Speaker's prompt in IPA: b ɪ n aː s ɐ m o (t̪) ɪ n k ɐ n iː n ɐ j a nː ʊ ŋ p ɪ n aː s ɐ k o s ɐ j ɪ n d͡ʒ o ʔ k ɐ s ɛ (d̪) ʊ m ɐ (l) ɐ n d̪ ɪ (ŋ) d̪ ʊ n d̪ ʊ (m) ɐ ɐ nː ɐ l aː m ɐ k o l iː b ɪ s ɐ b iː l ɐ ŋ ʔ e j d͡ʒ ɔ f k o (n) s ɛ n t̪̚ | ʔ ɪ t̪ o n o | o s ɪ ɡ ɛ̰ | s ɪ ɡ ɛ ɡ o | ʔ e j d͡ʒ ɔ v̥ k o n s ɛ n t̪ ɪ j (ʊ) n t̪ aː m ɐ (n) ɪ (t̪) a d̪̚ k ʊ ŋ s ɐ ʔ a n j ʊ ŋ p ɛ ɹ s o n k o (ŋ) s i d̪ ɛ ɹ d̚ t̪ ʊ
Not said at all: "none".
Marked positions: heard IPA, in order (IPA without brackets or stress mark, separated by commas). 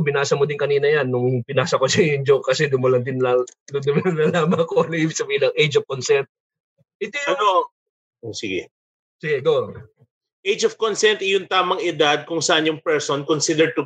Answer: d̪, d̪, l, n, m, n, ʊ, ŋ, d̪, n